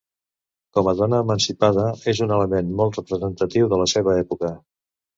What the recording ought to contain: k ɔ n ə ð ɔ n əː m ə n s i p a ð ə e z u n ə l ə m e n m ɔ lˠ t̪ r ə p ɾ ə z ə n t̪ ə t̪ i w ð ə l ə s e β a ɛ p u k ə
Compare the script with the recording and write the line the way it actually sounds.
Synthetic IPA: k ɔ m ə ð ɔ n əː m ə n s i p a ð ə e z u n ə l ə m e n m ɔ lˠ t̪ r ə p ɾ ə z ə n t̪ ə t̪ i w ð ə l ə s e β ə ɛ p u k ə

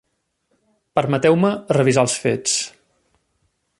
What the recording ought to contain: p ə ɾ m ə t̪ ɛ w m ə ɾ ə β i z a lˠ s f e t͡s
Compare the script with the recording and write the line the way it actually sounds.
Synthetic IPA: p ə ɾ m ə t̪ ɛ w m ə r ə β i z a lˠ s f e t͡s

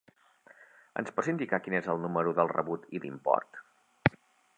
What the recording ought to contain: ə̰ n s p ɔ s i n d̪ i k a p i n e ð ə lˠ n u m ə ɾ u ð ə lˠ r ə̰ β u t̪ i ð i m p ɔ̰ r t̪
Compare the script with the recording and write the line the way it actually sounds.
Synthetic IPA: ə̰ n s p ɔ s i n d̪ i k a k i n e z ə lˠ n u m ə ɾ u ð ə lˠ r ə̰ β u t̪ i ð i m p ɔ̰ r t̪

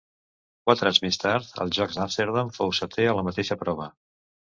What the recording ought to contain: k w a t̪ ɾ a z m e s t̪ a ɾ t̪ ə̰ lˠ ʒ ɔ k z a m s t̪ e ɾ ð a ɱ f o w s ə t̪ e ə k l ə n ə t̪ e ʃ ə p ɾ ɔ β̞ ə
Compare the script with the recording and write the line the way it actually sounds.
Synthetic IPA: k w a t̪ ɾ a z m e s t̪ a ɾ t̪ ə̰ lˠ ʒ ɔ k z a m s t̪ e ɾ ð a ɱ f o w s ə t̪ e ə l ə m ə t̪ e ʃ ə p ɾ ɔ β̞ ə

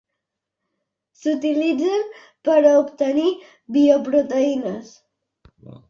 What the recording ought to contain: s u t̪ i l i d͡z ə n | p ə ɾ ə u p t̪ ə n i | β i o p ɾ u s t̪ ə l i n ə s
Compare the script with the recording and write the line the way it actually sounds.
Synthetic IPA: s u t̪ i l i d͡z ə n | p ə ɾ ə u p t̪ ə n i | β i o p ɾ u t̪ ə i n ə s

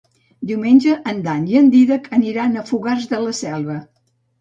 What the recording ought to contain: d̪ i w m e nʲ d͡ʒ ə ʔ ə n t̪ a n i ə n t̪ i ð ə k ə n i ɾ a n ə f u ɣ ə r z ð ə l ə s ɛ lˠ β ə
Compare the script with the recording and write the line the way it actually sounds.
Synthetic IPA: d̪ i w m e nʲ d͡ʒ ə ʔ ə n d̪ a n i ə n d̪ i ð ə k ə n i ɾ a n ə f u ɣ a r z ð ə l ə s ɛ lˠ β ə

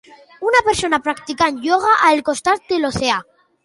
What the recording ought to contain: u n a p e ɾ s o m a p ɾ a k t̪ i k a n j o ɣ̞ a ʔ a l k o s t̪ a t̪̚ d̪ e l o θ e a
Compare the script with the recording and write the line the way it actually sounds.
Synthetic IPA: u n a p e ɾ s o n a p ɾ a k t̪ i k a n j o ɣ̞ a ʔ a l k o s t̪ a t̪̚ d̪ e l o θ e a

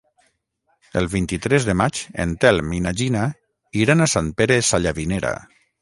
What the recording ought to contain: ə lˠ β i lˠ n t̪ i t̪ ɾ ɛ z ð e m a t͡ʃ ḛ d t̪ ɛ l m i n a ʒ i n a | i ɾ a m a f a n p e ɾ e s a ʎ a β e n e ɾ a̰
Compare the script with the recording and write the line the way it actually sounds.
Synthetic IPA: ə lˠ β i n t̪ i t̪ ɾ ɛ z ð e m a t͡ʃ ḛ n t̪ ɛ l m i n a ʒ i n a | i ɾ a n a s a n p e ɾ e s a ʎ a β i n e ɾ a̰

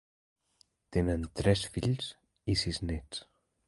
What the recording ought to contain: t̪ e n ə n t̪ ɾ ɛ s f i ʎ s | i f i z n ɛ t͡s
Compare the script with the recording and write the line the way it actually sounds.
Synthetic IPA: t̪ e n ə n t̪ ɾ ɛ s f i ʎ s | i s i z n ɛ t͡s

